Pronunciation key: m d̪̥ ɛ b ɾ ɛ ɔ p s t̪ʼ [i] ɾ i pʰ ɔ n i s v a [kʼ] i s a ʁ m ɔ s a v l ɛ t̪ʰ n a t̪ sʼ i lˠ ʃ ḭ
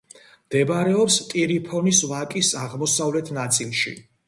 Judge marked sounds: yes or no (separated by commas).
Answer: yes, yes